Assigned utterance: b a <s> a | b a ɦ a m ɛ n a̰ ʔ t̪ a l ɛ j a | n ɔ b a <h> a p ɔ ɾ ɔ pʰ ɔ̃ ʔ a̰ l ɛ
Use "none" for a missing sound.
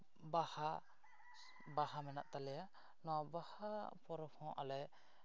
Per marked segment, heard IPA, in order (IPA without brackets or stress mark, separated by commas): h, h